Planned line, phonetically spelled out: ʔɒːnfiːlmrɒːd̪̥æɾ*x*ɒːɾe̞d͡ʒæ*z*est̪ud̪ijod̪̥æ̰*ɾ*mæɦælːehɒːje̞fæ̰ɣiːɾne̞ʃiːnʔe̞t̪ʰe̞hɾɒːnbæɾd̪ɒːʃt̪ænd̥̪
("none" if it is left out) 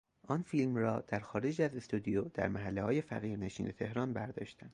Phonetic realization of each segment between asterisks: x, z, ɾ

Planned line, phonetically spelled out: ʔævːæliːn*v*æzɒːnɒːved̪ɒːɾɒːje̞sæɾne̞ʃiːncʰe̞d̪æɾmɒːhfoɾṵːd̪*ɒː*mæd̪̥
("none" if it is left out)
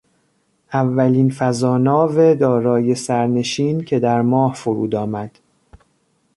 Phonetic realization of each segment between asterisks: f, ɒː

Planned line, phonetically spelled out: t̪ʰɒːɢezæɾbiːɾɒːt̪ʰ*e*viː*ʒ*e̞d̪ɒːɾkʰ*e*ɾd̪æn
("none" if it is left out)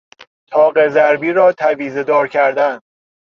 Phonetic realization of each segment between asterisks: æ, z, æ

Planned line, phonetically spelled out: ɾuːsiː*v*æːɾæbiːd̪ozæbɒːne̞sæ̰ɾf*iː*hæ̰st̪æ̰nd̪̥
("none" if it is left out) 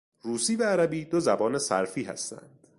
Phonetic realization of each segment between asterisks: v, iː

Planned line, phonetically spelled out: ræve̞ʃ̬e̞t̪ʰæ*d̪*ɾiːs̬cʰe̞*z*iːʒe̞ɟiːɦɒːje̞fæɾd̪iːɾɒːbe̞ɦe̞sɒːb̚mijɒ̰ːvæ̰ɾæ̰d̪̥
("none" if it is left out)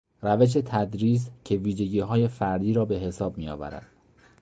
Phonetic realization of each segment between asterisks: d̪, v

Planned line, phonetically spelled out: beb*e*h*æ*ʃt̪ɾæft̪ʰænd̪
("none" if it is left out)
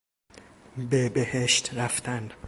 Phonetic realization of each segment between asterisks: e, e

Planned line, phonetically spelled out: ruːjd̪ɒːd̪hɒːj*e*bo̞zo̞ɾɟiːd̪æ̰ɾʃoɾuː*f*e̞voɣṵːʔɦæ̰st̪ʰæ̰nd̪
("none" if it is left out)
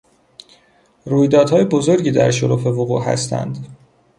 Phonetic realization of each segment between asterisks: e, f

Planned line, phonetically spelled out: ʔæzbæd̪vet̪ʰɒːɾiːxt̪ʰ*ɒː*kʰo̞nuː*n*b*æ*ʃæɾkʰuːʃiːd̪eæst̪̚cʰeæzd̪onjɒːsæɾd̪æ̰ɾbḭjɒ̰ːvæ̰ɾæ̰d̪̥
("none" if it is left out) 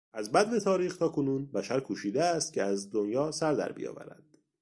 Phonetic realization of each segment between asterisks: ɒː, n, æ

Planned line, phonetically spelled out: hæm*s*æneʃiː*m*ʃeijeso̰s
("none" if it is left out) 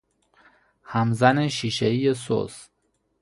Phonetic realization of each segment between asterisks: z, none

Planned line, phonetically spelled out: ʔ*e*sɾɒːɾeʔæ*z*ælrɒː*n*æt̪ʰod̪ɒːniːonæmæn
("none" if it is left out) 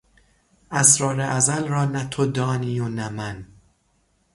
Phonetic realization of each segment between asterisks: æ, z, n

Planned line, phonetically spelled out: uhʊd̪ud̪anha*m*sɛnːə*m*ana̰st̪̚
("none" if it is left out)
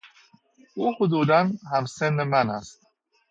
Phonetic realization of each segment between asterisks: m, m

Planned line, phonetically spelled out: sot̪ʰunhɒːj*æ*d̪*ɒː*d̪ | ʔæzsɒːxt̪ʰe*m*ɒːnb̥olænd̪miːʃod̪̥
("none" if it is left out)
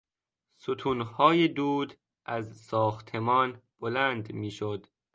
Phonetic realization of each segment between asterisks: e, uː, m

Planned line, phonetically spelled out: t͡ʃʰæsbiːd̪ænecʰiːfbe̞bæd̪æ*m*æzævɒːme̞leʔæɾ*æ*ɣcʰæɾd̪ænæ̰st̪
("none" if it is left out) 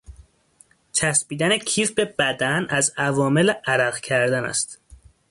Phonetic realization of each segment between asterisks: n, æ

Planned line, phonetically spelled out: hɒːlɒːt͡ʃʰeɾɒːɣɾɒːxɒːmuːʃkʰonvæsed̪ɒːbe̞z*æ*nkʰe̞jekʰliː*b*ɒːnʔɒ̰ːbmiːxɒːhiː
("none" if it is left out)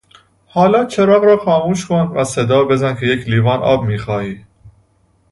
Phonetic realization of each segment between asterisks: æ, v

